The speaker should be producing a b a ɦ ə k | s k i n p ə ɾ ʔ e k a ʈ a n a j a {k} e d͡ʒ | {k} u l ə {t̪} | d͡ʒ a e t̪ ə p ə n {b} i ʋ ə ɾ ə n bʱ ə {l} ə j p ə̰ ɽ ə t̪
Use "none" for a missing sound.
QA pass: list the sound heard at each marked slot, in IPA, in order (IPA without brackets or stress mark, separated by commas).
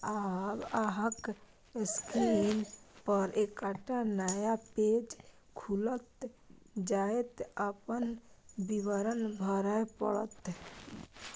p, kʰ, t̪, b, ɾ